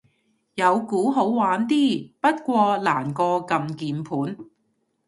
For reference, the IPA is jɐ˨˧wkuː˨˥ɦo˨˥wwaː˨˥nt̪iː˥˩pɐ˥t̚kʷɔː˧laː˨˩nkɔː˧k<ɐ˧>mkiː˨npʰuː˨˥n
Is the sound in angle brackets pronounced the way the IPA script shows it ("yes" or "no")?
yes